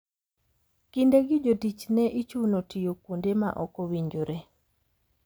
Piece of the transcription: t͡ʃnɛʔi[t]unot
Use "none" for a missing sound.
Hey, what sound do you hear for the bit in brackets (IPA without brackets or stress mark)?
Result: t͡ʃ